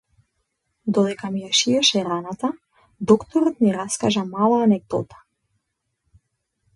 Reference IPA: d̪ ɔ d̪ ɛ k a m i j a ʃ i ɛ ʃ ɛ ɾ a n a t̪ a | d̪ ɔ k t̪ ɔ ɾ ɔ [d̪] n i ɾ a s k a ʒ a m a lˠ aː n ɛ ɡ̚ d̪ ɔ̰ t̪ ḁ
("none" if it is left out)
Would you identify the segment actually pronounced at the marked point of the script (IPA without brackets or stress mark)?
t̪